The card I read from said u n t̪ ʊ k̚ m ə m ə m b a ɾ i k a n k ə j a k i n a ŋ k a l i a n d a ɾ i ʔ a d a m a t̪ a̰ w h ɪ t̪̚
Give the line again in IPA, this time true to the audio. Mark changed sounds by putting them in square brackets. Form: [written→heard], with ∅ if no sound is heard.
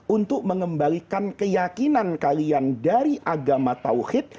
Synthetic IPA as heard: u n t̪ ʊ k̚ m ə [m→ŋ] ə m b a [ɾ→l] i k a n k ə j a k i n a [ŋ→n] k a l i a n d a ɾ i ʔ a [d→ɡ] a m a t̪ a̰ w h ɪ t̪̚